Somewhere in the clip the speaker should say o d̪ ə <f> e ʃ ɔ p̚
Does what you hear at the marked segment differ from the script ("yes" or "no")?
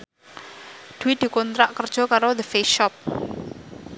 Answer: no